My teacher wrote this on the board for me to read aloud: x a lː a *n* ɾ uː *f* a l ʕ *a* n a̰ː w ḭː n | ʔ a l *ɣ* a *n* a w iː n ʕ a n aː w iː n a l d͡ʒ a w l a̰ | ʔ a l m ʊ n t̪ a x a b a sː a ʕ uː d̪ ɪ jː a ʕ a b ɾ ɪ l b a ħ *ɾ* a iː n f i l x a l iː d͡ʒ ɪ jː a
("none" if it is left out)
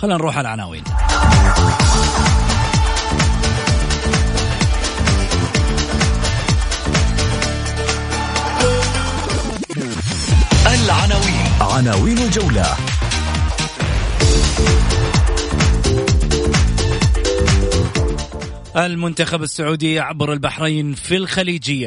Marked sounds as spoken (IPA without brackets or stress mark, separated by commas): n, ħ, a, ʕ, n, ɾ